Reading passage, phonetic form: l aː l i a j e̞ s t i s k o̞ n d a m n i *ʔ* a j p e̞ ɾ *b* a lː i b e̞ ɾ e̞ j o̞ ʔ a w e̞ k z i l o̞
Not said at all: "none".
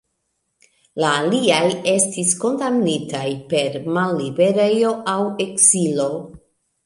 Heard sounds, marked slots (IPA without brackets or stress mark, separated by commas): t, m